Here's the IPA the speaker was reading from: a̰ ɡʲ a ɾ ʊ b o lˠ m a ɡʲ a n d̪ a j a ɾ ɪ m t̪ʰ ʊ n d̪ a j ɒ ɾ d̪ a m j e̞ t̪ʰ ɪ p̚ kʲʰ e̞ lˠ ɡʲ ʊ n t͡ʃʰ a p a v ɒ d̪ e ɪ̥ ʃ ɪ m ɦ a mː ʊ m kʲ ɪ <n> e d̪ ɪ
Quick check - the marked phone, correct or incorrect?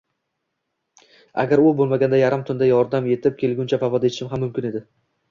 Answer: correct